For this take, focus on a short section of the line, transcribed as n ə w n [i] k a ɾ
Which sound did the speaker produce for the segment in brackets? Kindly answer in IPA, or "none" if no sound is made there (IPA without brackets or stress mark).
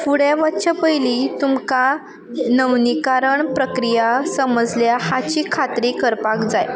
i